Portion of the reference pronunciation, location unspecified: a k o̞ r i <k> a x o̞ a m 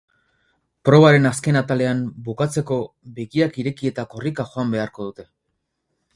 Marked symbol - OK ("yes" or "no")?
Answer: yes